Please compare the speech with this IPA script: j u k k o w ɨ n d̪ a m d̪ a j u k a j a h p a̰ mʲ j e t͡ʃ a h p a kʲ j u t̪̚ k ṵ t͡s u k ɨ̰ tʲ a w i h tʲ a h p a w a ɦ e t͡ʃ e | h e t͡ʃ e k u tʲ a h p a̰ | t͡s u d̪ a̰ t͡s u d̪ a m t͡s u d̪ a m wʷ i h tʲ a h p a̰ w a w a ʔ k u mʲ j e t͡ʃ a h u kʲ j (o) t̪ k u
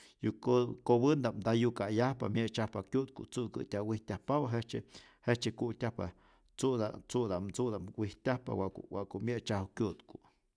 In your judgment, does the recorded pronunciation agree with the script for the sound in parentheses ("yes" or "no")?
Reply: no